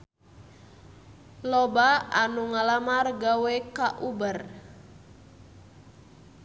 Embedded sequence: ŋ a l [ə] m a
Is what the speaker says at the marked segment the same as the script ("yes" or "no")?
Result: no